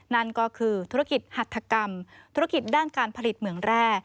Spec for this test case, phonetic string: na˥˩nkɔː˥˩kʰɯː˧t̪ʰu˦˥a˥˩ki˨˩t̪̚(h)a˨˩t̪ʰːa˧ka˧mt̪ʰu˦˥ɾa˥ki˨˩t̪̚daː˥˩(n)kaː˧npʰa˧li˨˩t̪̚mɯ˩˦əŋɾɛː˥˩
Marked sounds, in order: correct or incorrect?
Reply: correct, correct

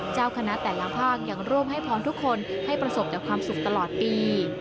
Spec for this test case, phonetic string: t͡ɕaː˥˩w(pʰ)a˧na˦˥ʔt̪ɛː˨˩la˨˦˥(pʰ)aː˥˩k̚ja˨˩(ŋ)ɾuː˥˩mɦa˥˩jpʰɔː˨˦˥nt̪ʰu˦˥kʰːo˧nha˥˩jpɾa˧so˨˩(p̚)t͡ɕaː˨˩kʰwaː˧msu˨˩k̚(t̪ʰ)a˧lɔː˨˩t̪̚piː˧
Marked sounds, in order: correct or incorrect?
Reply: incorrect, correct, correct, correct, incorrect

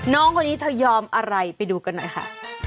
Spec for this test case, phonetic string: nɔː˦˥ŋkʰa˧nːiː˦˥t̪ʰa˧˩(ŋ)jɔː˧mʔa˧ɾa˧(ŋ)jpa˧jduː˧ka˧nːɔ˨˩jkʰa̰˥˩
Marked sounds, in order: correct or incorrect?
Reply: incorrect, incorrect

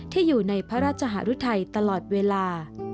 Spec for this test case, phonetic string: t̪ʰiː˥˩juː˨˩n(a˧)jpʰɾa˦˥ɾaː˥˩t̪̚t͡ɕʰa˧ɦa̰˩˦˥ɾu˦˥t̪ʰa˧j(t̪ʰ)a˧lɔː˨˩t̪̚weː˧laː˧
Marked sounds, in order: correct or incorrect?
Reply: correct, incorrect

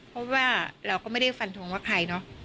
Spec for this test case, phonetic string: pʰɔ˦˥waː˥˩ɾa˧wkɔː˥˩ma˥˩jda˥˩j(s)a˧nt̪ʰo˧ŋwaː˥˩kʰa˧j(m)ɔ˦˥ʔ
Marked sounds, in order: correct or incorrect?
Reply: incorrect, incorrect

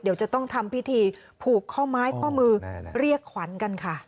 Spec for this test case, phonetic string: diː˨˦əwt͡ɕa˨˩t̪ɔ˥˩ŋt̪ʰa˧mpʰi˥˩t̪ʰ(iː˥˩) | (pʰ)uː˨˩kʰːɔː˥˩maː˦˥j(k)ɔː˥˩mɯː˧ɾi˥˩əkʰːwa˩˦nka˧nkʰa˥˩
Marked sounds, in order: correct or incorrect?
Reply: incorrect, correct, incorrect

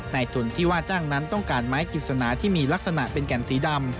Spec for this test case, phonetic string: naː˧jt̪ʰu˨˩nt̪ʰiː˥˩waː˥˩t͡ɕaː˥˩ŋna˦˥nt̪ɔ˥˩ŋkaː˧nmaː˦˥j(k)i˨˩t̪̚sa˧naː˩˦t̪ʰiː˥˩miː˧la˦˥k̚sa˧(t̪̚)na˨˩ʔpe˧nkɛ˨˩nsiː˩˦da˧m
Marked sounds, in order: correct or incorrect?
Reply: correct, incorrect

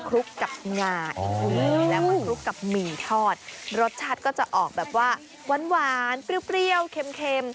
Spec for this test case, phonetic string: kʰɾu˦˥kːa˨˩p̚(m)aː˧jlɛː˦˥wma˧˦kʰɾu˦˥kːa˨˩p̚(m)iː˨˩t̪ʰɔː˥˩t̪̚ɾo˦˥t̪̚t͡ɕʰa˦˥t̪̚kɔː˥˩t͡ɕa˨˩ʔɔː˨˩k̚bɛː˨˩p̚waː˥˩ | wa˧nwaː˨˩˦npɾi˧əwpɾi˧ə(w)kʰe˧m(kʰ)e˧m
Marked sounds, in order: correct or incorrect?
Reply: incorrect, correct, correct, correct

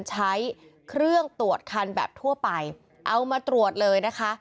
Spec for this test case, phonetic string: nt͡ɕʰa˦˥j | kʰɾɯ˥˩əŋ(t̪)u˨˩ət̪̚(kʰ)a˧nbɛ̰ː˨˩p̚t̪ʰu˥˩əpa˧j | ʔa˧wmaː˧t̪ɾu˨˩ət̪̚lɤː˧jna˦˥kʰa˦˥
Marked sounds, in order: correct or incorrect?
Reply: correct, correct

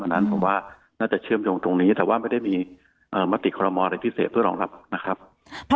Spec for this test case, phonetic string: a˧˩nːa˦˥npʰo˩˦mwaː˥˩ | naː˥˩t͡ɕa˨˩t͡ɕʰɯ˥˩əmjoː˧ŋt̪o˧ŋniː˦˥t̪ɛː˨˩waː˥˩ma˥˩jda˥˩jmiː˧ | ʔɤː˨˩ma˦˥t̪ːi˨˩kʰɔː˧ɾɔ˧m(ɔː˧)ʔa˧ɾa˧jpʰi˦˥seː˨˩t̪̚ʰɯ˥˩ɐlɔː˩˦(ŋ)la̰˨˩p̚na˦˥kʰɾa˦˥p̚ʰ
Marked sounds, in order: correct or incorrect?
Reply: correct, correct

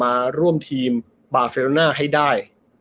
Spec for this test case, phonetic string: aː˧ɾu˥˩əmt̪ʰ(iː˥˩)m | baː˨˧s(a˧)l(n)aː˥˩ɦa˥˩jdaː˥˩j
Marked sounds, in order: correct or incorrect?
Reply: incorrect, incorrect, correct

